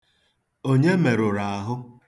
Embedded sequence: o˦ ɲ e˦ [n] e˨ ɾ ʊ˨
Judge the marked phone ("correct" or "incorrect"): incorrect